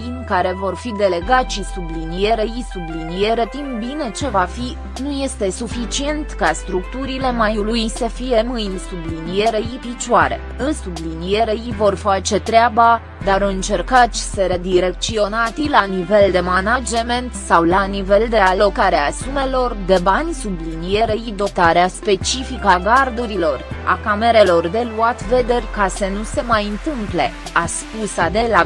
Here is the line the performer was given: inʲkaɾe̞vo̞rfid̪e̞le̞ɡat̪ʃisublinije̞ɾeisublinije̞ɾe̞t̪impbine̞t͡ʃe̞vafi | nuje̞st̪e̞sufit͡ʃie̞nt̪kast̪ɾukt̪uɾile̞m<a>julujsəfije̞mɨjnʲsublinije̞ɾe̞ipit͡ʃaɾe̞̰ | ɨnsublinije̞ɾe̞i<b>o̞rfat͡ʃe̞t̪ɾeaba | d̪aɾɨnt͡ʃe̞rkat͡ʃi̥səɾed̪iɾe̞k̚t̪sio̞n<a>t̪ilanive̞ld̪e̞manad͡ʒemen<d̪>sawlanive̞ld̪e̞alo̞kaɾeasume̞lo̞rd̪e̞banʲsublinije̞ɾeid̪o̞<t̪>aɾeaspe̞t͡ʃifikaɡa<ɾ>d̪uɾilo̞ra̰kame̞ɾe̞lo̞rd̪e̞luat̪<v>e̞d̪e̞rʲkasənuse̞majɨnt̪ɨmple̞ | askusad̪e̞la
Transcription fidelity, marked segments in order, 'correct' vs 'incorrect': correct, incorrect: v, correct, incorrect: t̪, correct, incorrect: r, correct

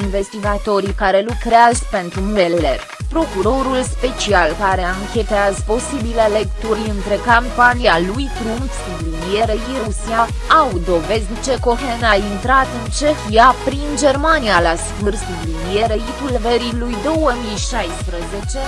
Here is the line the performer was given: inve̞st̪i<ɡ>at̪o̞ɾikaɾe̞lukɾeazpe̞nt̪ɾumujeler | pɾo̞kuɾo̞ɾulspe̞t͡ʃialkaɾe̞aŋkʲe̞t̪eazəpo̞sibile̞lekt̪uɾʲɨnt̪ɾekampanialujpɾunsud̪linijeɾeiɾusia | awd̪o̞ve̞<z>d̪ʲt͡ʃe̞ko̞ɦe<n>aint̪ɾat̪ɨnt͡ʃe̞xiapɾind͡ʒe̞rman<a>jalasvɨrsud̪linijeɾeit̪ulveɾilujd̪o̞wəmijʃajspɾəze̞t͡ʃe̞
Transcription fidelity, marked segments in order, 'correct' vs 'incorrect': correct, correct, correct, incorrect: i

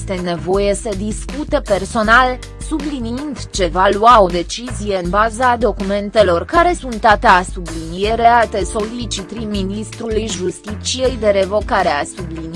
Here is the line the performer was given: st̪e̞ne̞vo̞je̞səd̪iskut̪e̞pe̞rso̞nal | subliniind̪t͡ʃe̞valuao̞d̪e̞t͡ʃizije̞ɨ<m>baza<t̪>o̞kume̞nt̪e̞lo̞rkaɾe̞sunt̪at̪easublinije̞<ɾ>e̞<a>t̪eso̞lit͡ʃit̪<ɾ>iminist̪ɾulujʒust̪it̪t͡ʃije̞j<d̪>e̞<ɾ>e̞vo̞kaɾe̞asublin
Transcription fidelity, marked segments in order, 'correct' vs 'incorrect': incorrect: n, incorrect: d̪, correct, correct, correct, correct, correct

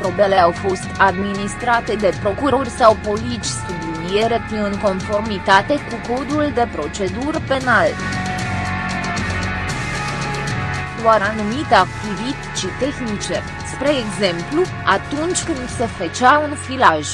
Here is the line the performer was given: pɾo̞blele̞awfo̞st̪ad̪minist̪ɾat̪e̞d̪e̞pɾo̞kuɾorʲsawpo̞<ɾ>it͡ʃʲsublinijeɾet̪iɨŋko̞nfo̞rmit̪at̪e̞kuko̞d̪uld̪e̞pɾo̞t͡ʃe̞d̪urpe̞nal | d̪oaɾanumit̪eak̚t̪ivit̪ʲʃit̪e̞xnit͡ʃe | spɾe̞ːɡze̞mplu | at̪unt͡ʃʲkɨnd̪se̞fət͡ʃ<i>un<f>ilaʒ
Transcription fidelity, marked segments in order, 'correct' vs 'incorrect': incorrect: l, incorrect: a, correct

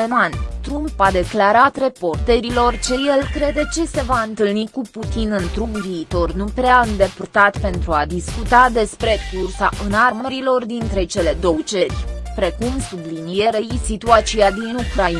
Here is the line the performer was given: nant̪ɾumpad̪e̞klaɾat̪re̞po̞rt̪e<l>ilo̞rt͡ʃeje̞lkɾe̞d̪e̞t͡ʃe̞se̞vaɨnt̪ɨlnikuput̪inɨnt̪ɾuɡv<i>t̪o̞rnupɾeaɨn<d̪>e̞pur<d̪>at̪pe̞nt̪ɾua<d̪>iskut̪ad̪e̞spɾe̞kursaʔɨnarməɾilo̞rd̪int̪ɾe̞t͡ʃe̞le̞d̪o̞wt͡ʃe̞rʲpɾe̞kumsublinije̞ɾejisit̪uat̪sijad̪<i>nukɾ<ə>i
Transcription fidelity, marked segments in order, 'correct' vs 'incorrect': incorrect: ɾ, incorrect: iː, correct, incorrect: t̪, correct, correct, incorrect: a

